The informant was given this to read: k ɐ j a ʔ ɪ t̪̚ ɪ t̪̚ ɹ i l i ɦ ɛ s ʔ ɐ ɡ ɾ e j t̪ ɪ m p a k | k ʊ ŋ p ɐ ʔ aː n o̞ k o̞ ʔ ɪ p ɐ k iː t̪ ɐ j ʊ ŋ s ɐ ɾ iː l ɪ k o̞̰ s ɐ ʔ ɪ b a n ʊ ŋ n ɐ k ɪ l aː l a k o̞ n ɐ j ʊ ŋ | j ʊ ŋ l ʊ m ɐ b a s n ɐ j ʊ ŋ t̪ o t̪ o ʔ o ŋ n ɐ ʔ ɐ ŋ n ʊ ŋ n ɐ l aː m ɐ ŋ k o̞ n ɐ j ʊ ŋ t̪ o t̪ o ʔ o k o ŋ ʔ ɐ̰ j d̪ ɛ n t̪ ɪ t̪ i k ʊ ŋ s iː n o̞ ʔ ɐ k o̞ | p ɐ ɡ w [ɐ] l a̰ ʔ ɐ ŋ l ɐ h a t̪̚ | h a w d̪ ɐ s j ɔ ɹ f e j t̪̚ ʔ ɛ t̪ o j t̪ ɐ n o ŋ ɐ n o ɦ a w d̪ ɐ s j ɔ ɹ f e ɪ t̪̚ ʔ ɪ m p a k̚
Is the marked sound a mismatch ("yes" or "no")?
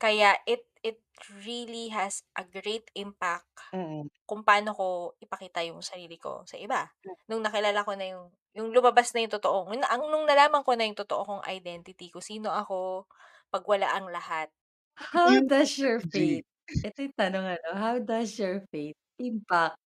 no